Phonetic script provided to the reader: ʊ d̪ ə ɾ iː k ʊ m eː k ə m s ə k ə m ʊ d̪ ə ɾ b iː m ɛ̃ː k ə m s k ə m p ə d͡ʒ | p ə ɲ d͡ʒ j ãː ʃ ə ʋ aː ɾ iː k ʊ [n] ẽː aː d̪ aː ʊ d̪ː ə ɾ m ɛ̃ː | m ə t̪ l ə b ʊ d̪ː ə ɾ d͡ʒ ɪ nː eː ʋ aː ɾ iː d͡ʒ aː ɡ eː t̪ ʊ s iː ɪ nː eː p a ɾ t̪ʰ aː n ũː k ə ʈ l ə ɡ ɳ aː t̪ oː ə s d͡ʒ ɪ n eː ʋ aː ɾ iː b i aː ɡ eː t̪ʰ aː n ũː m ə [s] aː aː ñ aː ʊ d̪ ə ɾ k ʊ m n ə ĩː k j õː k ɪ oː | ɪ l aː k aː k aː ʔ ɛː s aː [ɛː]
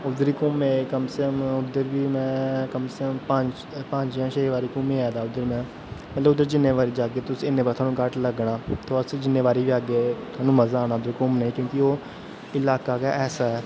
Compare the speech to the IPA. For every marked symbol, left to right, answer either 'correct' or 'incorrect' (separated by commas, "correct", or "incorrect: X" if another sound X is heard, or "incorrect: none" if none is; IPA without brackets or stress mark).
incorrect: m, incorrect: z, correct